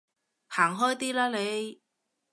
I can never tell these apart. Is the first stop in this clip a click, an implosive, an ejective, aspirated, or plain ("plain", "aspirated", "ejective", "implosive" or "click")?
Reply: plain